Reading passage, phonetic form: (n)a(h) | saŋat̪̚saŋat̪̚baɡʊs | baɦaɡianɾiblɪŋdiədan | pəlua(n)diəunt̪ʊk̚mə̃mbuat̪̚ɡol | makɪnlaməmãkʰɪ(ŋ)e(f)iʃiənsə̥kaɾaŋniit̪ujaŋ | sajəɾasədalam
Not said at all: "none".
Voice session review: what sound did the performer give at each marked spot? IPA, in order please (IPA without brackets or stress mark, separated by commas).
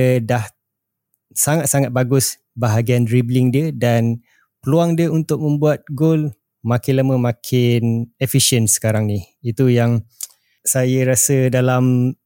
d, h, ŋ, n, f